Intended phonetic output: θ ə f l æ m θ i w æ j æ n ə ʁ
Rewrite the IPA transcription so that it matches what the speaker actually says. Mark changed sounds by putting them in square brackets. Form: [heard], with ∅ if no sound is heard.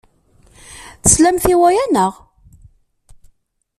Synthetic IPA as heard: θ ə [s] l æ m θ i w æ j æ n ə ʁ